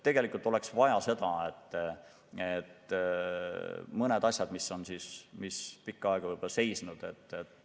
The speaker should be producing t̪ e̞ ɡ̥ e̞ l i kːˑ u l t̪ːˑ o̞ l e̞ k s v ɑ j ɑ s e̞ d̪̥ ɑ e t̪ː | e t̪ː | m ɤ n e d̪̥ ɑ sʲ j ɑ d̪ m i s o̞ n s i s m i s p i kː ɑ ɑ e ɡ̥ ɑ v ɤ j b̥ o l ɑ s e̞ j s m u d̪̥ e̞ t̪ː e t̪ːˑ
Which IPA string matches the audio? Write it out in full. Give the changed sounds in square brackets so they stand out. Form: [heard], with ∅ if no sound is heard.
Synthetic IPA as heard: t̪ e̞ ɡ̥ e̞ l i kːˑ u l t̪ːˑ o̞ l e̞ k s v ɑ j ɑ s e̞ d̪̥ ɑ e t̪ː | e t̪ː | m ɤ n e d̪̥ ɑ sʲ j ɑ d̪ m i s o̞ n s i s m i s p i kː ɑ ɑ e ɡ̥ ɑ v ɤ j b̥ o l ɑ s e̞ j s [n] u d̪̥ e̞ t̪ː e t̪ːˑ